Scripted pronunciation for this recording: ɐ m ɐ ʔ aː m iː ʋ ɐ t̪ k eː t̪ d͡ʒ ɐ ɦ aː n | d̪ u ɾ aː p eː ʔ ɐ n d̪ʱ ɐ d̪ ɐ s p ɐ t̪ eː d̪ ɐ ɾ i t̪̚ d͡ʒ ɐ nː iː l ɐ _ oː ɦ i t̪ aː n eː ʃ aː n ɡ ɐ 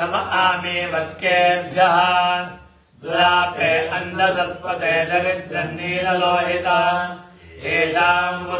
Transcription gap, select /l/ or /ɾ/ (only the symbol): l